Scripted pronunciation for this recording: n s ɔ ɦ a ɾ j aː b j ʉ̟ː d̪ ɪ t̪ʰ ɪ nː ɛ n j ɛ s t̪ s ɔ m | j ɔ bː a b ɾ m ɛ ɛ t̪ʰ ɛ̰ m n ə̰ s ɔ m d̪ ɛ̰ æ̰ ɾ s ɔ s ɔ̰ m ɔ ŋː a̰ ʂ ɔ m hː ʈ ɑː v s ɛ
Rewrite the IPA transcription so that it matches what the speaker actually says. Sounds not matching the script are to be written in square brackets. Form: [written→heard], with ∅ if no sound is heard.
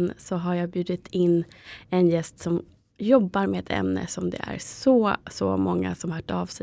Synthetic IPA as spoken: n s ɔ ɦ a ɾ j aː b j ʉ̟ː d̪ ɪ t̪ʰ ɪ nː ɛ n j ɛ s t̪ s ɔ m | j ɔ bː a [b→∅] ɾ m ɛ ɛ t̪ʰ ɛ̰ m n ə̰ s ɔ m d̪ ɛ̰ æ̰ ɾ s ɔ s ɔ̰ m ɔ ŋː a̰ [ʂ→s] ɔ m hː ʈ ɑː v s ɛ